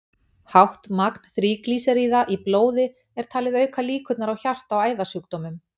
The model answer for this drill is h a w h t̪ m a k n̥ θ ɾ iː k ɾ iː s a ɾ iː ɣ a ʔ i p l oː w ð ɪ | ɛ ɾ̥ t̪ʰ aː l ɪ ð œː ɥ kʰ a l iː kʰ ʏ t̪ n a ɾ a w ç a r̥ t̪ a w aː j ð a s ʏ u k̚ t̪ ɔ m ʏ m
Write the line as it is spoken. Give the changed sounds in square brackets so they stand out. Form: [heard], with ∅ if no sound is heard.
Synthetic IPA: h a w h t̪ m a k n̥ θ ɾ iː k [l] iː s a ɾ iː [ð] a ʔ i p l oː w ð ɪ | ɛ ɾ̥ t̪ʰ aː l ɪ ð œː ɥ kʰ a l iː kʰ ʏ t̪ n a ɾ a w ç a r̥ t̪ a w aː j ð a s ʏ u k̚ t̪ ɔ m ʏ m

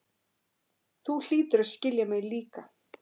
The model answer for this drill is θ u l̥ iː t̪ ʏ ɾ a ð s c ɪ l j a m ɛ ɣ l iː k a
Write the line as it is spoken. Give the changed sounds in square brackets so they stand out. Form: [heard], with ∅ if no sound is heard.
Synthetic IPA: θ u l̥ iː t̪ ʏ ɾ a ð s c ɪ l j a m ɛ ɣ l iː k a

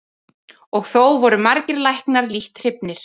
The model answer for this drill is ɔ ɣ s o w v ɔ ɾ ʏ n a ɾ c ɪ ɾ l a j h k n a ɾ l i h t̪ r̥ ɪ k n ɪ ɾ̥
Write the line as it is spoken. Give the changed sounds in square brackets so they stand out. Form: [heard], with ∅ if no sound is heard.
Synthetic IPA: ɔ ɣ [θ] o w v ɔ ɾ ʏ [m] a ɾ c ɪ ɾ l a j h k n a ɾ l i h t̪ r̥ ɪ [p] n ɪ ɾ̥

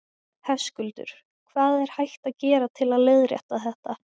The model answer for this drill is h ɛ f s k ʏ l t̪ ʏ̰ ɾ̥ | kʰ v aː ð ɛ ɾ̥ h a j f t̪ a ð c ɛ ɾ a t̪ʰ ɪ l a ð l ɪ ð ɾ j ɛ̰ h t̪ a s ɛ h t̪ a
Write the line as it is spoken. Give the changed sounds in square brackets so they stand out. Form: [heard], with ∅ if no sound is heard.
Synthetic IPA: h ɛ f s k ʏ l t̪ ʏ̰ ɾ̥ | kʰ v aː ð ɛ ɾ̥ h a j [h] t̪ a ð c [ɛː] ɾ a t̪ʰ ɪ l a ð l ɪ ð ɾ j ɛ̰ h t̪ a [θ] ɛ h t̪ a

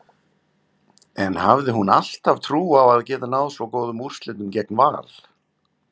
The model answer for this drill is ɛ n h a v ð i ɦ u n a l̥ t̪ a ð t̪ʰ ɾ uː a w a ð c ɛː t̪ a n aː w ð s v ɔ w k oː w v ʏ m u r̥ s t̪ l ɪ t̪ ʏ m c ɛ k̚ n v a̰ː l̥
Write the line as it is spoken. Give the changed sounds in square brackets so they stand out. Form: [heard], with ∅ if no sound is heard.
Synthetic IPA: ɛ n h a v ð [ɪ] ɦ u n a l̥ t̪ a [v] t̪ʰ ɾ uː a w a ð c ɛː t̪ a n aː w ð s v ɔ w k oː w [ð] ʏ m u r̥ s t̪ l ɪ t̪ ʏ m c ɛ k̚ n v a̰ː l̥

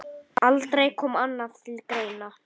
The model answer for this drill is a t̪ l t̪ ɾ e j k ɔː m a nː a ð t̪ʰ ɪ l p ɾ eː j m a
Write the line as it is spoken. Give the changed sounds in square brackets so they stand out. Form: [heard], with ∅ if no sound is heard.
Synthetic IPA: a [∅] l t̪ ɾ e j [kʰ] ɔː m a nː a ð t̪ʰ ɪ l [k] ɾ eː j [n] a

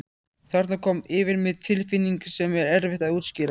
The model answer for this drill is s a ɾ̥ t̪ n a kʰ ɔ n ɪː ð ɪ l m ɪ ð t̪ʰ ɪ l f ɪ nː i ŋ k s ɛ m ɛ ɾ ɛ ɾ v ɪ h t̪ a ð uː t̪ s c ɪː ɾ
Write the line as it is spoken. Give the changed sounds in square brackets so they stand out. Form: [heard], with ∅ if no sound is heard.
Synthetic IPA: [θ] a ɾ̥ t̪ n a kʰ ɔ [m] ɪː [v] ɪ [ɾ] m ɪ ð t̪ʰ ɪ l f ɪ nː i ŋ k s ɛ m ɛ ɾ ɛ ɾ v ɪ h t̪ a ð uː t̪ s c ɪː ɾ

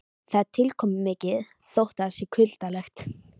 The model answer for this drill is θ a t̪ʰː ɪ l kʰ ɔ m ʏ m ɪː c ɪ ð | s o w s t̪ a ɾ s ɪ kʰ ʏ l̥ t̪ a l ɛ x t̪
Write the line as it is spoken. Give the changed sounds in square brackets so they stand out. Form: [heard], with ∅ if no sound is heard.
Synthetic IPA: θ a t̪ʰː ɪ l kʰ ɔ m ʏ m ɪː c ɪ ð | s o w [h] t̪ a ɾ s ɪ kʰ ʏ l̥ t̪ a l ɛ x t̪

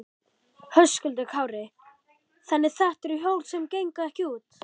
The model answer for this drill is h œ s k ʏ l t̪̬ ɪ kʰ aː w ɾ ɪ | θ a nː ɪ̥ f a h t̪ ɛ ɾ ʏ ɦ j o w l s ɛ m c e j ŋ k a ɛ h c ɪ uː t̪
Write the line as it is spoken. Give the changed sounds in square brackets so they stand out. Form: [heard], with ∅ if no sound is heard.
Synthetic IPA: h œ s k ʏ l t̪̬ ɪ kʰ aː w ɾ ɪ | θ a nː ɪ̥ [θ] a h t̪ ɛ ɾ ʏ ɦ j o w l s ɛ m c e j ŋ k a ɛ h c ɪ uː t̪

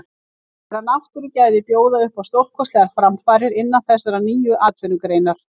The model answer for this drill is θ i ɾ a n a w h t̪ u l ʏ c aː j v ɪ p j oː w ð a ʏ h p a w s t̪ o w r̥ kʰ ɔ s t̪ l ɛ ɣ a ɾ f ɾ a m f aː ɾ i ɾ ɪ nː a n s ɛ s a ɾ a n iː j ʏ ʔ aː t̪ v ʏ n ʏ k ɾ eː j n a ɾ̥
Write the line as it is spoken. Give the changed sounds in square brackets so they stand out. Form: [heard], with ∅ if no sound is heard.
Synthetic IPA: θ [ɛ] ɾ a n a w h t̪ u [ɾ] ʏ c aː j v ɪ p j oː w ð a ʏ h p a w s t̪ o w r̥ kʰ ɔ s t̪ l ɛ ɣ a ɾ f ɾ a m f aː ɾ [ɪ] ɾ ɪ nː a n [θ] ɛ s a ɾ a n iː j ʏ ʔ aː t̪ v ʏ n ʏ k ɾ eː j n a ɾ̥

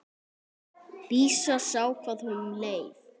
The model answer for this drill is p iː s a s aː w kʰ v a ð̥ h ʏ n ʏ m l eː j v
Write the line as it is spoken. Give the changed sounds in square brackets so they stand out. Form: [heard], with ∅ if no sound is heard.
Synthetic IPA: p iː s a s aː w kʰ v a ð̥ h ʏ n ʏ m l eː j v

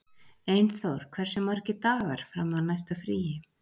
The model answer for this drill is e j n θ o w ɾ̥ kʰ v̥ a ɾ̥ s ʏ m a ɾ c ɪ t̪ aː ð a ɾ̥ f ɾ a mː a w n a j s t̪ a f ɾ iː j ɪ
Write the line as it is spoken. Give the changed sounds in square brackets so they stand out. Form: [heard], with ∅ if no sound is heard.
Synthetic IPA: e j n θ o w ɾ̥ kʰ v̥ [ɛ] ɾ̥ s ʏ m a ɾ c ɪ t̪ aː [ɣ] a ɾ̥ f ɾ a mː a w n a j s t̪ a f ɾ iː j ɪ

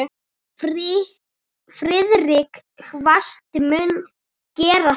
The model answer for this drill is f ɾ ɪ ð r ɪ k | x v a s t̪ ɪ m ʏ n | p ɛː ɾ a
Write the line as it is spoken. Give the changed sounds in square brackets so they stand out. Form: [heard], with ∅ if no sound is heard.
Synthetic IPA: f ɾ ɪ ð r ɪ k | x v a s t̪ ɪ m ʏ n | [c] ɛː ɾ a

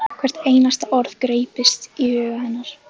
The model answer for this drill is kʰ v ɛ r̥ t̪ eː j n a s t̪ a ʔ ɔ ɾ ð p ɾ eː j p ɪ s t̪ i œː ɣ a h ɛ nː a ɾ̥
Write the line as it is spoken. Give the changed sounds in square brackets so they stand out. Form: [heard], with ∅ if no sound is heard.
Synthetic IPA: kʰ v ɛ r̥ t̪ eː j n a s t̪ a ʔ ɔ ɾ ð [k] ɾ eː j p ɪ s t̪ i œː ɣ a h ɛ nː a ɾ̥

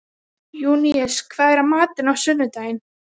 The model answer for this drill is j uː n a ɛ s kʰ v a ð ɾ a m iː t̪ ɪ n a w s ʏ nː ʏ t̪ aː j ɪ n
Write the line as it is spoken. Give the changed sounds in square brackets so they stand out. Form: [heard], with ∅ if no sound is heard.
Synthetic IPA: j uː n [i] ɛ s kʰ v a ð ɾ a m [aː] t̪ ɪ n a w s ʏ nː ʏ t̪ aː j ɪ n

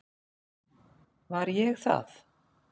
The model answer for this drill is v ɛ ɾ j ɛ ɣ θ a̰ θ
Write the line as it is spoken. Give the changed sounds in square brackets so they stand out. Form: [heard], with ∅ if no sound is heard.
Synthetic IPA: v [a] ɾ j ɛ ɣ θ a̰ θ

